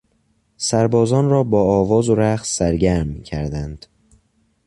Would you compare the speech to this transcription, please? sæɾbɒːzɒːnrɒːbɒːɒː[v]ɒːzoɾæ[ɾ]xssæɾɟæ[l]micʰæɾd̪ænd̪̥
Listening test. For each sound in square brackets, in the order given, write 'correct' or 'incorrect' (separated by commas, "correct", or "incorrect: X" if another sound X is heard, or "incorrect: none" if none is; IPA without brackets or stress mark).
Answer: correct, incorrect: none, incorrect: ɾ